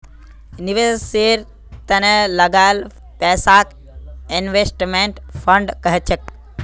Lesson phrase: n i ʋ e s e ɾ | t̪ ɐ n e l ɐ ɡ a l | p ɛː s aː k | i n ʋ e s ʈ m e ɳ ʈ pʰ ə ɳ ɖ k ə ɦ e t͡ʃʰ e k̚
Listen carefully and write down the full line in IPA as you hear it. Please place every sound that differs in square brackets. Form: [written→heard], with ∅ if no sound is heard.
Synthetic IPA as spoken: n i ʋ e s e ɾ | t̪ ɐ n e l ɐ ɡ a l | p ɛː s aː k | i n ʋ e s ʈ m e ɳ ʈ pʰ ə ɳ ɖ k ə ɦ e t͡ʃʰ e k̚